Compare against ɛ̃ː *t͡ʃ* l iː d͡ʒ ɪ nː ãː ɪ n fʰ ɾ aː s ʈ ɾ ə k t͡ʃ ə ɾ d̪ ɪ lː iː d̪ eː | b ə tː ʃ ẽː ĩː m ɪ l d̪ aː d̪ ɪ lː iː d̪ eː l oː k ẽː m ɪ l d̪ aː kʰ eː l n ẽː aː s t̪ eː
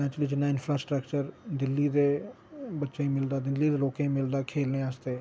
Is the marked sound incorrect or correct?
correct